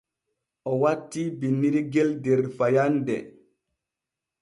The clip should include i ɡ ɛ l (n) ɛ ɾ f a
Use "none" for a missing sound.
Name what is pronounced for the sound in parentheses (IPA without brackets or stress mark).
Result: d